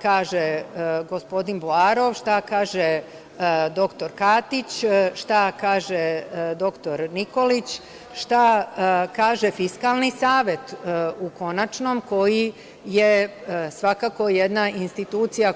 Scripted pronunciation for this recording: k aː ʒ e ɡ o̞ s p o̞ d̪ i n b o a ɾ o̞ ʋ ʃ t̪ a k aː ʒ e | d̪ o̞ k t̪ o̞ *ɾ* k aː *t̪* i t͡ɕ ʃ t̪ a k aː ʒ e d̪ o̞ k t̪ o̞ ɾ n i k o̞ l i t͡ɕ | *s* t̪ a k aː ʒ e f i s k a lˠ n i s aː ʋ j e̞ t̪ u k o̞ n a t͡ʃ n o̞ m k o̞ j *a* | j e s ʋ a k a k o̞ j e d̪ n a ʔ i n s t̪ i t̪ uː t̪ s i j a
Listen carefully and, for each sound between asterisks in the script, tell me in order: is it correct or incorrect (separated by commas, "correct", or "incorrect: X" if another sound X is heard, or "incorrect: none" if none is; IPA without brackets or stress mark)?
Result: correct, correct, incorrect: ʃ, incorrect: i